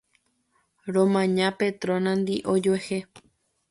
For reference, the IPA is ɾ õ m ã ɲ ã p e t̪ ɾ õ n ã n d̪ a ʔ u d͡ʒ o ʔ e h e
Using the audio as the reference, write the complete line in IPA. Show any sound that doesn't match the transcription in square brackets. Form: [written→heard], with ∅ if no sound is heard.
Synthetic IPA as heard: ɾ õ m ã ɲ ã p e t̪ ɾ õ n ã n d̪ [a→i] ʔ [u→o] d͡ʒ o [ʔ→∅] e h e